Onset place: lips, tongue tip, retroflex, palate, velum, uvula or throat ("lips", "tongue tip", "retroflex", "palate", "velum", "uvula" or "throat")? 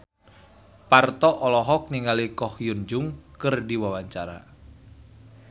lips